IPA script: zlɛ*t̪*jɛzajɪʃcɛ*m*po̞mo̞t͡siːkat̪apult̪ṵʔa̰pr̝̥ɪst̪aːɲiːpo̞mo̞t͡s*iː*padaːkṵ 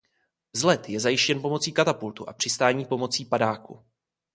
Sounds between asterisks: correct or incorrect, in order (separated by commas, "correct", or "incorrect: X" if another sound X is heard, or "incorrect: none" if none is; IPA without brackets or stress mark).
correct, incorrect: n, correct